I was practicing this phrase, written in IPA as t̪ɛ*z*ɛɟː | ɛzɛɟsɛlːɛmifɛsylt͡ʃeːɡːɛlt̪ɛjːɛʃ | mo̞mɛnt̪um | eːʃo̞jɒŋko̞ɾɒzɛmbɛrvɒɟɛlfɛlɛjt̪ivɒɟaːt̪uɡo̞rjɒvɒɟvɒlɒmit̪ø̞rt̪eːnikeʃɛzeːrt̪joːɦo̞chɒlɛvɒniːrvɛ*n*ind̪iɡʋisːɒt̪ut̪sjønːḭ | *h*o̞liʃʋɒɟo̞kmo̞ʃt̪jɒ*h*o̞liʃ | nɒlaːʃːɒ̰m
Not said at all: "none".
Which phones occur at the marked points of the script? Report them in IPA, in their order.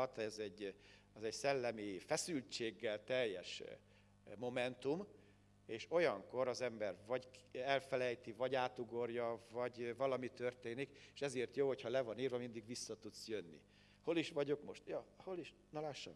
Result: z, m, h, h

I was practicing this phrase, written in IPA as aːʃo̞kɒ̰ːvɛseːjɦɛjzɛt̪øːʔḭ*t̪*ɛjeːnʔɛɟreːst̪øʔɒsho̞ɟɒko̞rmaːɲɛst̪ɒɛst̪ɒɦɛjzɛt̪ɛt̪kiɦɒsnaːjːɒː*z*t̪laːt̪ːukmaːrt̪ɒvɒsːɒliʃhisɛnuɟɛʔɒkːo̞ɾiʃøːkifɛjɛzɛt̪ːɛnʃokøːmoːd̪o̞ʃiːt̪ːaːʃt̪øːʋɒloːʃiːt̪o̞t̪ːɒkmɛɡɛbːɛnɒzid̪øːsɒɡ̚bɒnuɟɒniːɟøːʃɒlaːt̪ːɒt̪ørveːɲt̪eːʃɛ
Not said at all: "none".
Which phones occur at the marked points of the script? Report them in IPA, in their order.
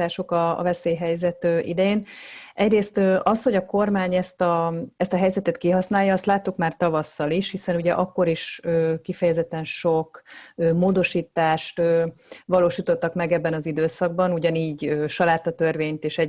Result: d̪, s

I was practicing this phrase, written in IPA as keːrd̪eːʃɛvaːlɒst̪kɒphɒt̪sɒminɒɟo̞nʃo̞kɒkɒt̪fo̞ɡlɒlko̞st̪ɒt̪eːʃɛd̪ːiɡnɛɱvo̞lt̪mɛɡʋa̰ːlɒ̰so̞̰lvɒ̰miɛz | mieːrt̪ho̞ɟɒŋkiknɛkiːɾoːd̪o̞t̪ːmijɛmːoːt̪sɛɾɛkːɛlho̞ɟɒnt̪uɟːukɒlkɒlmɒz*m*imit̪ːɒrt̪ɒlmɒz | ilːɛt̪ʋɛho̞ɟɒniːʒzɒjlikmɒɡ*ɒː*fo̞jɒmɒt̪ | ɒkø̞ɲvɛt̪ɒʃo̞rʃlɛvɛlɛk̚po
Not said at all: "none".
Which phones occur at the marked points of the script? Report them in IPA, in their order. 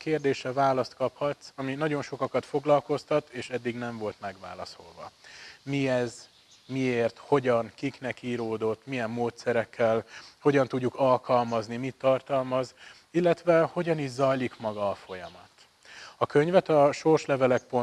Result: n, ɒː

